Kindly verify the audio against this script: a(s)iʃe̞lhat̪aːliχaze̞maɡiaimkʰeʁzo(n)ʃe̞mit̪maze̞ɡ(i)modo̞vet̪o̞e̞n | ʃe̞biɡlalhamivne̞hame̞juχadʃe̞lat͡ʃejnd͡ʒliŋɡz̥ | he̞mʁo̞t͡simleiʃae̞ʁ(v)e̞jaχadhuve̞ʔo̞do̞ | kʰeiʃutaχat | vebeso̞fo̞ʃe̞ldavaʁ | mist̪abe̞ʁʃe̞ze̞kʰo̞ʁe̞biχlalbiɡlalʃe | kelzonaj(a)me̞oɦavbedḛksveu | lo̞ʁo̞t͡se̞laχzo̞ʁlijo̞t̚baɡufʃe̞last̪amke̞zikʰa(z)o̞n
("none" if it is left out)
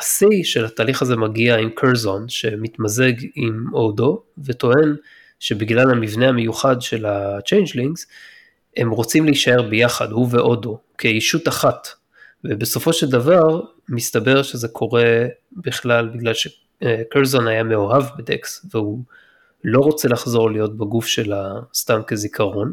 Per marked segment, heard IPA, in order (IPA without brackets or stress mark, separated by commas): s, n, i, b, a, ʁ